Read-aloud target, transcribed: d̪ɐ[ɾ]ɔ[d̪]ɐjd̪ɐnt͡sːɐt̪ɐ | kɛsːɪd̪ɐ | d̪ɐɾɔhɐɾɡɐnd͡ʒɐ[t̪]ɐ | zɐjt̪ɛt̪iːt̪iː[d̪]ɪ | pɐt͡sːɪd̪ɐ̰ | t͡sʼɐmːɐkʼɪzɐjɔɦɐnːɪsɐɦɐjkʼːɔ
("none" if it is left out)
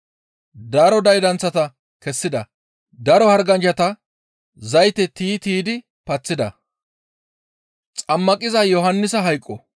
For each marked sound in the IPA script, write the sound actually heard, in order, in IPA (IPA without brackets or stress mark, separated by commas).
ɾ, d̪, t̪, d̪